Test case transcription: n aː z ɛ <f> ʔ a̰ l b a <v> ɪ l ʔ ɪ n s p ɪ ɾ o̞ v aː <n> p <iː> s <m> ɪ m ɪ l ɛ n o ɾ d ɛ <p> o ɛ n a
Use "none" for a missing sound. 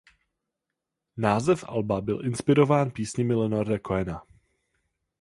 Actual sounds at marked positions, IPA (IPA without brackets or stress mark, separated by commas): f, b, n, iː, ɲ, k